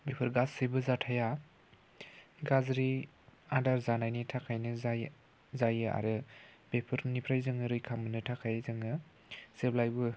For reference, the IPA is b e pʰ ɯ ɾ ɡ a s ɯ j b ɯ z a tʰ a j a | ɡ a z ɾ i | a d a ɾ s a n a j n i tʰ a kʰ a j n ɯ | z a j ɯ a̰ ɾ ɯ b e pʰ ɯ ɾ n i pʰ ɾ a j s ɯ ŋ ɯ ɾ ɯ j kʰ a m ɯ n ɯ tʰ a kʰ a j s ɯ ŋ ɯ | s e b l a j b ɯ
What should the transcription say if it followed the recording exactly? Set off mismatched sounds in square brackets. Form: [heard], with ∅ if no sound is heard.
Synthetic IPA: b e pʰ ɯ ɾ ɡ a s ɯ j b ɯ z a tʰ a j a | ɡ a z ɾ i | a d a ɾ [z] a n a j n i tʰ a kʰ a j n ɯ | z a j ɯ a̰ ɾ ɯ b e pʰ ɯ ɾ n i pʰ ɾ a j [z] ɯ ŋ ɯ ɾ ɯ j kʰ a m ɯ n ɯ tʰ a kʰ a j [z] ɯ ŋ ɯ | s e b l a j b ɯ